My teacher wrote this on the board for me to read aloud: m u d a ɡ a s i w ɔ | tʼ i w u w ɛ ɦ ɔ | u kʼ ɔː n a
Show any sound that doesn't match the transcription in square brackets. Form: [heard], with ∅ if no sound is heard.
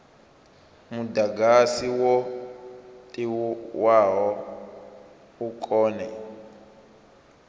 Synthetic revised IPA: m u d a ɡ a s i w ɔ | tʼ i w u w [a] ɦ ɔ | u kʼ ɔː n [ɛ]